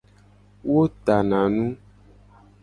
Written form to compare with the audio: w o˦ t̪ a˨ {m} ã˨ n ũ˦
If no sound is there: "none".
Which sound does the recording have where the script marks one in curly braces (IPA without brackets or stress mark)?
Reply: n